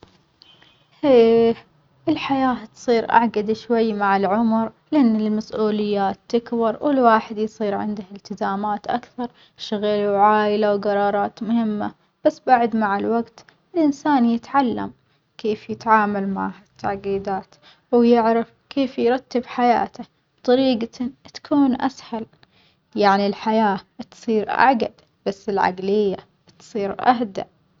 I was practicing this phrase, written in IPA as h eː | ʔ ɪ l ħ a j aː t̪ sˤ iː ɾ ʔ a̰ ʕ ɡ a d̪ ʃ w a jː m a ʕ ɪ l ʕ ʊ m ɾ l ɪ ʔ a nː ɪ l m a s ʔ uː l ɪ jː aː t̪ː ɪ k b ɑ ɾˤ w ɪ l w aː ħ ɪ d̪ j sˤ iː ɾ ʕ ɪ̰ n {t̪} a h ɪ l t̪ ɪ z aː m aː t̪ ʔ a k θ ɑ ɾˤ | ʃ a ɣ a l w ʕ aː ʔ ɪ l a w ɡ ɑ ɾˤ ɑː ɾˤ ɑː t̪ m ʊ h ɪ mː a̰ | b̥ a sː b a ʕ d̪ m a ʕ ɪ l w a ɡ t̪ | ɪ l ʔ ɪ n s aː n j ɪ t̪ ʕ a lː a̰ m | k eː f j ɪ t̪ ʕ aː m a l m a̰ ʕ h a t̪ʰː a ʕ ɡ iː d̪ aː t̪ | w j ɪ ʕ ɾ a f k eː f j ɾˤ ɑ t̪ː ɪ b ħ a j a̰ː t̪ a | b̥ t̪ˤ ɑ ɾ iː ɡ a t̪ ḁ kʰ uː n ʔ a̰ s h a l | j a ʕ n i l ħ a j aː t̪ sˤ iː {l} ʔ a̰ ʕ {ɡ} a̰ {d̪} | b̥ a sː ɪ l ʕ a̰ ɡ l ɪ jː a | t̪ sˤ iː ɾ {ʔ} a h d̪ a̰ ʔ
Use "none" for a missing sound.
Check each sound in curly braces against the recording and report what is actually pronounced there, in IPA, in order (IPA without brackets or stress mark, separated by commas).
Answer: d̪, ɾ, ɡ, d̪, ʔ